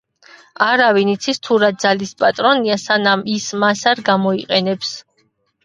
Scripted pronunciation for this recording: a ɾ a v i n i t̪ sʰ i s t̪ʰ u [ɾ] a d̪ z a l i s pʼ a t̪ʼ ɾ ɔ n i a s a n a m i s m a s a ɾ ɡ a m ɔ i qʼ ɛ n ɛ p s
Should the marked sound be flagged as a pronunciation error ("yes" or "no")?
no